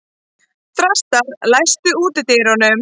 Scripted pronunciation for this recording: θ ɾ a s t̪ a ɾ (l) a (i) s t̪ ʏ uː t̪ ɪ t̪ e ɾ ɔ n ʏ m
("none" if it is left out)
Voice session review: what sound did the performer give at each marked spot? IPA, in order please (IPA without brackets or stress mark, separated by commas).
l, j